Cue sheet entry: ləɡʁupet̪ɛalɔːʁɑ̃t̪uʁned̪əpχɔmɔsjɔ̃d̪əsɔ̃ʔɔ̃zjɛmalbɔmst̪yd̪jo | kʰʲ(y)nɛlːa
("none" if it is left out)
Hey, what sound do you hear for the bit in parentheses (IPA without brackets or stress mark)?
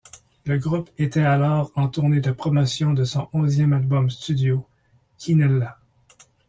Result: i